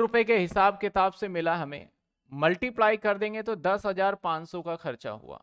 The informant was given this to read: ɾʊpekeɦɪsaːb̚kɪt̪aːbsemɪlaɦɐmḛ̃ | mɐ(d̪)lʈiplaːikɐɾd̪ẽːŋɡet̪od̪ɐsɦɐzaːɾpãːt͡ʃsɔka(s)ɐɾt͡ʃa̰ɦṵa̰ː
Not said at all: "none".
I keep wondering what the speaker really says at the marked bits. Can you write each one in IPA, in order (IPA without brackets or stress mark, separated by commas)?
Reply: none, x